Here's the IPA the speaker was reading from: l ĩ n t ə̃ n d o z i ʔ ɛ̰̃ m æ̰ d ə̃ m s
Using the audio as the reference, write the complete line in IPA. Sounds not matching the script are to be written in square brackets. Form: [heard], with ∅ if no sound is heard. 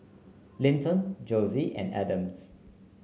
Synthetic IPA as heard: l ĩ n t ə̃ n [d͡ʒ] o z i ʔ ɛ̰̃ [n] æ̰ d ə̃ m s